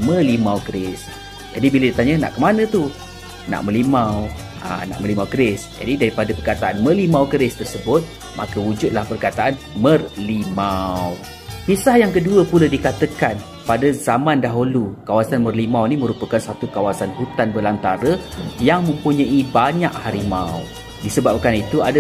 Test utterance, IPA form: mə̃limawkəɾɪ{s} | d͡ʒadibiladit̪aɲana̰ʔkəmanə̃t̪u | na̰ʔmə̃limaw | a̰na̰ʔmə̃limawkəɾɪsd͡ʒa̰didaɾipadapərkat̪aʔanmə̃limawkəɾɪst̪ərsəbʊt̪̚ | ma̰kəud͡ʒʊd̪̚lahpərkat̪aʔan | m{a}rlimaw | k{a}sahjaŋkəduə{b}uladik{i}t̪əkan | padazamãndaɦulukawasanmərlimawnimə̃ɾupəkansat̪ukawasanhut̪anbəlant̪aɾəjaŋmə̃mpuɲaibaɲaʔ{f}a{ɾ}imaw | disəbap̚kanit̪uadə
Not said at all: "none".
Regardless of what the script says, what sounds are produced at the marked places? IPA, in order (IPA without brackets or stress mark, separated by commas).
s, ə, i, p, a, h, ɾ